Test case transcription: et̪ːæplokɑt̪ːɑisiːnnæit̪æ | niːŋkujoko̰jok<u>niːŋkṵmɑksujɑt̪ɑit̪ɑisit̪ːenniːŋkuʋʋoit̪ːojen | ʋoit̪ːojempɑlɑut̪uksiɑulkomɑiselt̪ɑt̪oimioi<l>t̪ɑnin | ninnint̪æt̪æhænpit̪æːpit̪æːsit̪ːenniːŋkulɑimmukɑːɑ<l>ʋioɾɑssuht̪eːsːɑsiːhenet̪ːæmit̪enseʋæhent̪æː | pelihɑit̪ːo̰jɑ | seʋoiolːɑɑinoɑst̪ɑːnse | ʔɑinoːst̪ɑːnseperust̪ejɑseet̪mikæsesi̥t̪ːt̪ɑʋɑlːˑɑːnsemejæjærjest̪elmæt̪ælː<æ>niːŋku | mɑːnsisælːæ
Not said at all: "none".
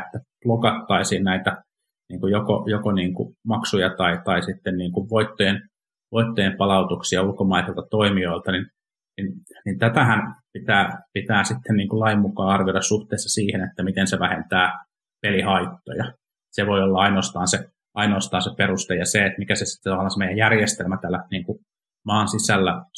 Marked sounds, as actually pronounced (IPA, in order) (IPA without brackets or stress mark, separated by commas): o, l, r, æ